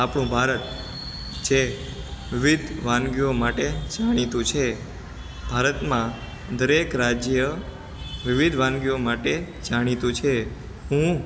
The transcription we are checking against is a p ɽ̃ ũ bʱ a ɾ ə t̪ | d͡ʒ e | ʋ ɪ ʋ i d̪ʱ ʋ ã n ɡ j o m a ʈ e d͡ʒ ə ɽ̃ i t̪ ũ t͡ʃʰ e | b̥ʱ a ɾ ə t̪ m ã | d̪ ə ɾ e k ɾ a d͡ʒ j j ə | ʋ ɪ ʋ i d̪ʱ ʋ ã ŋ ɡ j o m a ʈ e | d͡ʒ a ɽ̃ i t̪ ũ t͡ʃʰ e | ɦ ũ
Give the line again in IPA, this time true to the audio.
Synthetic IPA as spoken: a p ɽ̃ ũ bʱ a ɾ ə t̪ | d͡ʒ e | ʋ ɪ ʋ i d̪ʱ ʋ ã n ɡ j o m a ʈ e d͡ʒ a ɽ̃ i t̪ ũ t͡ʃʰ e | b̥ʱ a ɾ ə t̪ m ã | d̪ ə ɾ e k ɾ a d͡ʒ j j ə | ʋ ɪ ʋ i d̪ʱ ʋ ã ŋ ɡ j o m a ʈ e | d͡ʒ a ɽ̃ i t̪ ũ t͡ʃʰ e | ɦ ũ